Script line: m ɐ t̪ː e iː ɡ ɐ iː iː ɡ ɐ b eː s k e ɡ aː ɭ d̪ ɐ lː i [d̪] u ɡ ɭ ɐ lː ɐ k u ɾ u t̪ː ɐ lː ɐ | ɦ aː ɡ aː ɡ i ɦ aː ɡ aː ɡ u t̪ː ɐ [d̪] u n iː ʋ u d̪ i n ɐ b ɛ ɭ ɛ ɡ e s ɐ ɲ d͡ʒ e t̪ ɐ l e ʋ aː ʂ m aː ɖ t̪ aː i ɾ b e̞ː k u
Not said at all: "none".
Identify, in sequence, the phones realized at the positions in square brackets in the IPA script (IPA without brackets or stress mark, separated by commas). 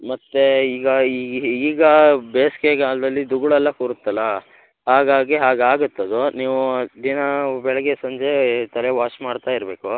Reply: d̪, d̪